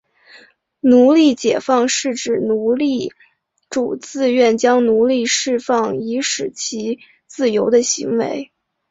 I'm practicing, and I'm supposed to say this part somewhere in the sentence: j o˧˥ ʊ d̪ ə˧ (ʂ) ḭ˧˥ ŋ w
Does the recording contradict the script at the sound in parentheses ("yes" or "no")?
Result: yes